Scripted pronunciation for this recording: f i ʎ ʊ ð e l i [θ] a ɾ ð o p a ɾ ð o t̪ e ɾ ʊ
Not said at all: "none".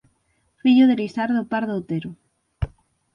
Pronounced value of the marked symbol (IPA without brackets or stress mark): s